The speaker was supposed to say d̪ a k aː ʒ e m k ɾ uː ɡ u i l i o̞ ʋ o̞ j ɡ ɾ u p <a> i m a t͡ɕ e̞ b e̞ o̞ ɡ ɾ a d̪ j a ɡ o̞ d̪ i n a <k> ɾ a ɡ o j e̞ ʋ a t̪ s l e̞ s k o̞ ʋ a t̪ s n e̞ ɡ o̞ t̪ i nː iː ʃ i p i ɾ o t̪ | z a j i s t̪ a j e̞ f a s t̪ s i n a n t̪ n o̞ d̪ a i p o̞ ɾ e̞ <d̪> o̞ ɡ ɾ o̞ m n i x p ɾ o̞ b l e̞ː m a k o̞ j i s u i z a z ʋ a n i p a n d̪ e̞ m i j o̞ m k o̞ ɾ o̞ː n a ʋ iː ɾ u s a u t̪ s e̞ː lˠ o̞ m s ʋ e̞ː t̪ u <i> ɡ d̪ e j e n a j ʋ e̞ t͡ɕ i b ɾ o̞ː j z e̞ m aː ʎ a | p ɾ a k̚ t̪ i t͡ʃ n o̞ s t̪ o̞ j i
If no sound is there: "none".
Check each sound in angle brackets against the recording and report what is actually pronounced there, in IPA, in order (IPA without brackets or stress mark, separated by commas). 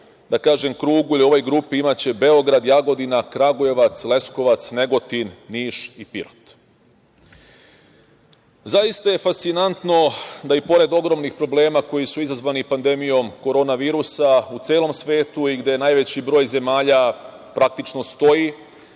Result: i, k, d̪, i